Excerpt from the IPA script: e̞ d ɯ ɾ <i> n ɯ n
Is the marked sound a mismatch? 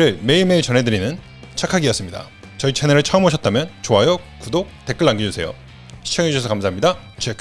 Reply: no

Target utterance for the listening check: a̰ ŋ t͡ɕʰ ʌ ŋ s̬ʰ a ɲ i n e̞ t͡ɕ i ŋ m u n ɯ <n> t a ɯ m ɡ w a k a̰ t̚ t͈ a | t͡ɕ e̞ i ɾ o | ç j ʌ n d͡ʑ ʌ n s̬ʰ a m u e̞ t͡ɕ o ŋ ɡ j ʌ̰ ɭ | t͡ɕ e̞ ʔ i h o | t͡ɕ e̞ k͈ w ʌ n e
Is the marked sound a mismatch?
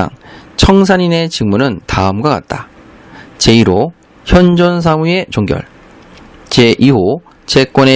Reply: no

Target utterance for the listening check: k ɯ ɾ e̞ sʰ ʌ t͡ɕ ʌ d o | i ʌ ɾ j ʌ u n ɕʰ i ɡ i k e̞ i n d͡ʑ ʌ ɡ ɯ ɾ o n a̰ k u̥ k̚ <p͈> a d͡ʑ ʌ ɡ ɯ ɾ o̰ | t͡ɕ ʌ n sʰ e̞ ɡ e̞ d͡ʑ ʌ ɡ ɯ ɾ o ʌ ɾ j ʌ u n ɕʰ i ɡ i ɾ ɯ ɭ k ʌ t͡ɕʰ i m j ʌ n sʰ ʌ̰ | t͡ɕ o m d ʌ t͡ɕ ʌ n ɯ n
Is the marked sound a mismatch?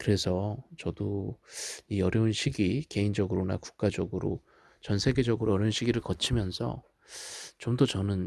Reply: yes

